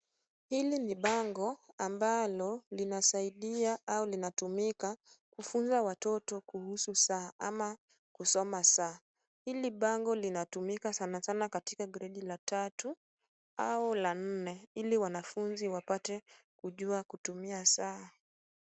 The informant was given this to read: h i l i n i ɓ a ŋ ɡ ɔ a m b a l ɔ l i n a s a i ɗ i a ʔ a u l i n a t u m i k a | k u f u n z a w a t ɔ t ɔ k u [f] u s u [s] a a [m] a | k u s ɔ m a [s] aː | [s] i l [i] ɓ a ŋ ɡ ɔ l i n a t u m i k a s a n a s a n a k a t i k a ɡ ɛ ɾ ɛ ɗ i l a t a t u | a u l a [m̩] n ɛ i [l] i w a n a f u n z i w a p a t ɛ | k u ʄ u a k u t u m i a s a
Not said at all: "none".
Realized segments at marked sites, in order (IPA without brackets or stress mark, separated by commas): h, s, m, s, h, i, n̩, l